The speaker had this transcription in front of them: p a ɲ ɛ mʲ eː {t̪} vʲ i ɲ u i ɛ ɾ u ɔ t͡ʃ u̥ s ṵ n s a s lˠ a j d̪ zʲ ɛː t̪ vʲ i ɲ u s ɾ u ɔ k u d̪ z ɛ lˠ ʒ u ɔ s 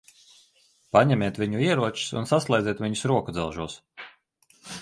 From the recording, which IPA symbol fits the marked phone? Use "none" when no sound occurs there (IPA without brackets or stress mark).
t̪